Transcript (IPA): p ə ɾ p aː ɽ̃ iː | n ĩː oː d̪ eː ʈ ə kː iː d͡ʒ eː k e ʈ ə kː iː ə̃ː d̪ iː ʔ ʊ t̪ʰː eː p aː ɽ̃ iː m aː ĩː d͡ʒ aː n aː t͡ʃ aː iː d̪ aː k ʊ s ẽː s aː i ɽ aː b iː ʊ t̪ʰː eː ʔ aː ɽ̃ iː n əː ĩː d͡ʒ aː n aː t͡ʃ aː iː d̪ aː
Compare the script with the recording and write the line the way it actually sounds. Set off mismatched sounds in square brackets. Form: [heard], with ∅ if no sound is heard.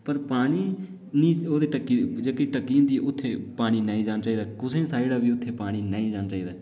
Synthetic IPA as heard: p ə ɾ p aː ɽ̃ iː | n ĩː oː d̪ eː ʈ ə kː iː d͡ʒ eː k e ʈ ə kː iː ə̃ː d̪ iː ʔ ʊ t̪ʰː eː p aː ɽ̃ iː [n] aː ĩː d͡ʒ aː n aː t͡ʃ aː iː d̪ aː k ʊ s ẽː s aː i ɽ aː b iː ʊ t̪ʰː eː [p] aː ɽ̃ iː n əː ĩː d͡ʒ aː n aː t͡ʃ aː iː d̪ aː